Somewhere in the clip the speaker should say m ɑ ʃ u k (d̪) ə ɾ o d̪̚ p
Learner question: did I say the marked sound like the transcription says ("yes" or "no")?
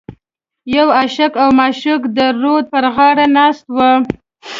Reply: yes